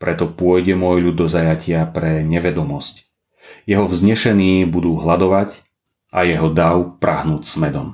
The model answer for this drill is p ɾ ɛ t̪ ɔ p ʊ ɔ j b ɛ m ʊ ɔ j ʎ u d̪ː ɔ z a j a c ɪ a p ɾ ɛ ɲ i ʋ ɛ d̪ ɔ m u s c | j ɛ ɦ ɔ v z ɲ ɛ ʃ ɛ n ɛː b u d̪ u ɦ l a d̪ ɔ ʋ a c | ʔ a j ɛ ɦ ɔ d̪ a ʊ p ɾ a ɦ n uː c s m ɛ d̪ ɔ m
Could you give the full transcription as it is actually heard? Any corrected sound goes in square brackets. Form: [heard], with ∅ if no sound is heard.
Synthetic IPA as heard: p ɾ ɛ t̪ ɔ p ʊ ɔ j [ɟ] ɛ m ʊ ɔ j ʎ u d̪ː ɔ z a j a c ɪ a p ɾ ɛ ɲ [ɛ] ʋ ɛ d̪ ɔ m [ɔ] s c | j ɛ ɦ ɔ v z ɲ ɛ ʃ ɛ n [iː] b u d̪ [uː] ɦ l a d̪ ɔ ʋ a c | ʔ a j ɛ ɦ ɔ d̪ a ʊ p ɾ a ɦ n uː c s m ɛ d̪ ɔ m